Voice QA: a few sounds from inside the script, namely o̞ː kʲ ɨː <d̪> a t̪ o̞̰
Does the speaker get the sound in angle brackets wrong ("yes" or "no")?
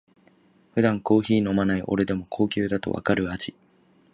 no